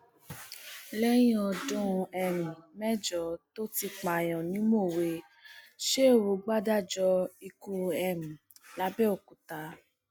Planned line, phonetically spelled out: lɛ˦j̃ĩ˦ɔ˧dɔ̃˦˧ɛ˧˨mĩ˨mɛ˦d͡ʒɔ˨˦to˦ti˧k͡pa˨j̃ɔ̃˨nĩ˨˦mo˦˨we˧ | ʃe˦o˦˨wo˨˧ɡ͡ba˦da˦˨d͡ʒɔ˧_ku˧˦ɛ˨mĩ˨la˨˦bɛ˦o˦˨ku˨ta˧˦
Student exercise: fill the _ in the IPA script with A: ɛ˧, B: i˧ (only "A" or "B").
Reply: B